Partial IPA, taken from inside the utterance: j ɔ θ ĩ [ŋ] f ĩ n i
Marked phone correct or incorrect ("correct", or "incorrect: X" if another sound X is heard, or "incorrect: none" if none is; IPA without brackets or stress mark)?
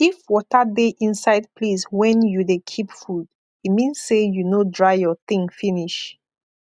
correct